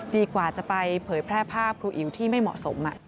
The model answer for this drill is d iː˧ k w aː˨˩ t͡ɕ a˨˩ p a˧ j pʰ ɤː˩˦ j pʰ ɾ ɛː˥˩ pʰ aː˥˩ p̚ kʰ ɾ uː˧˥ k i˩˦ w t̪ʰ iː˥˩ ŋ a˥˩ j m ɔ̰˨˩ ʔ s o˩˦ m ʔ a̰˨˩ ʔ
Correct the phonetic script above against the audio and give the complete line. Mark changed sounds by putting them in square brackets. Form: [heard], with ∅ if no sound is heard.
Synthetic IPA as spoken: d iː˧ k w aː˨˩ t͡ɕ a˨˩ p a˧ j pʰ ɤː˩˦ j pʰ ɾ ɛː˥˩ pʰ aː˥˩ p̚ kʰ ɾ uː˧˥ [ʔ] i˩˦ w t̪ʰ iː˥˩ [m] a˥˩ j m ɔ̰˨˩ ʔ s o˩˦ m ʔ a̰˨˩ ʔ